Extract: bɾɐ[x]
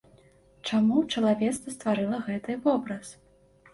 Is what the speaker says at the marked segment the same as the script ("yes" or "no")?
no